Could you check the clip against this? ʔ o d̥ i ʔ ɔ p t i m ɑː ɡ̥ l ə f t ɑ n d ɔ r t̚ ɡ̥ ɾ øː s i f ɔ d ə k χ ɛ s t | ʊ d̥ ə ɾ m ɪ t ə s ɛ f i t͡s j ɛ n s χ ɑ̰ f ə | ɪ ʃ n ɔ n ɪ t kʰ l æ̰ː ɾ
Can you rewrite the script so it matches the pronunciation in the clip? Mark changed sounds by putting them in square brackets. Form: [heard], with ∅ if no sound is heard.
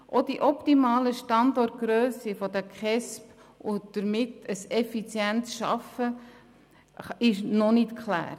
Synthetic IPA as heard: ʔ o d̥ i ʔ ɔ p t i m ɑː [∅] l ə [ʃ] t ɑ n d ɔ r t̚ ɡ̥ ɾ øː s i f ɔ d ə k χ ɛ s [p] | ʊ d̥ ə ɾ m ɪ t ə s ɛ f i t͡s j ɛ n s [ʃ] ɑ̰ f ə | ɪ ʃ n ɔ n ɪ t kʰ l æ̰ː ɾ

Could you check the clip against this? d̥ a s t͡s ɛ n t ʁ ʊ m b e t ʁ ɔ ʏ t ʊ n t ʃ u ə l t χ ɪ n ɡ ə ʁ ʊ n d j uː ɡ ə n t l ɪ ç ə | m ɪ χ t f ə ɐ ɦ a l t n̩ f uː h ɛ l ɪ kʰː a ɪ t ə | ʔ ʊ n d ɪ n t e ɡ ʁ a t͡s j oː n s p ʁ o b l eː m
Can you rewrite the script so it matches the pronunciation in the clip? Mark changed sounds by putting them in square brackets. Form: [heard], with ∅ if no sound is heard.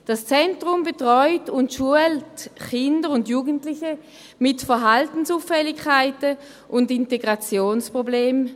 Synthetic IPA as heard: d̥ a s t͡s ɛ n t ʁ ʊ m b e t ʁ ɔ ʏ t ʊ n t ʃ u ə l t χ ɪ n [d] ə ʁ ʊ n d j uː ɡ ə n t l ɪ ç ə | m ɪ [∅] t f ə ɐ ɦ a l t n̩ [s] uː [f] ɛ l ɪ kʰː a ɪ t ə | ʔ ʊ n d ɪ n t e ɡ ʁ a t͡s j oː n s p ʁ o b l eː m

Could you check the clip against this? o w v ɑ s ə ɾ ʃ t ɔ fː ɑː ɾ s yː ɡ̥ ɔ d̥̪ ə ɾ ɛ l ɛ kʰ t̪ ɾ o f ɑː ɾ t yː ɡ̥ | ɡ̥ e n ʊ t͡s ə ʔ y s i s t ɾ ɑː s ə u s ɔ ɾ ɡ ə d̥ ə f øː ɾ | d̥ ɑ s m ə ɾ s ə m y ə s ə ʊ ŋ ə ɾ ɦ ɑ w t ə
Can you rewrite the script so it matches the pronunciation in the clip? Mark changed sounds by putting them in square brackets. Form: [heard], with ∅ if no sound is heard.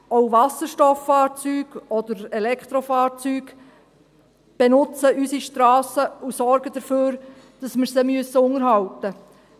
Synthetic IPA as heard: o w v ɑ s ə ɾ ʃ t ɔ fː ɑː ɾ [t͡s] yː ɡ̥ ɔ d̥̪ ə ɾ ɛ l ɛ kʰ t̪ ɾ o f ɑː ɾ [t͡s] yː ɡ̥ | [b̥] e n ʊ t͡s ə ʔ y s i [ʃ] t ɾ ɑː s ə u s ɔ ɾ ɡ ə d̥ ə f øː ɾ | d̥ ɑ s m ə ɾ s ə m y ə s ə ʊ ŋ ə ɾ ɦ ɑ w t ə

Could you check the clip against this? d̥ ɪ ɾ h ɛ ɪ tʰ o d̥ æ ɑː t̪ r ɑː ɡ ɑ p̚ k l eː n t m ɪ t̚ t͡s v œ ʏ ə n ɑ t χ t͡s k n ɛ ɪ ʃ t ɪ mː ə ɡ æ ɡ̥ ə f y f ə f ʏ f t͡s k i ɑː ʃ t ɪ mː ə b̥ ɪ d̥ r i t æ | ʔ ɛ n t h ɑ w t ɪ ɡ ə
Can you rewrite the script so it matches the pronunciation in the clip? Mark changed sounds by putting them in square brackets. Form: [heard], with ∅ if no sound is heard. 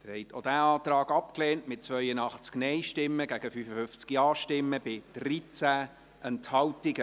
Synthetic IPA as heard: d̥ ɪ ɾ h ɛ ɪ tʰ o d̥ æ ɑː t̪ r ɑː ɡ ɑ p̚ k l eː n t m ɪ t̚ t͡s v œ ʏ ə n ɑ [∅] χ t͡s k n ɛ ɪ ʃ t ɪ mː ə ɡ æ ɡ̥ ə f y f ə f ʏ f t͡s k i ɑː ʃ t ɪ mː ə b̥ ɪ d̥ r i [t͡s] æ | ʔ ɛ n t h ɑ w t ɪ ɡ ə

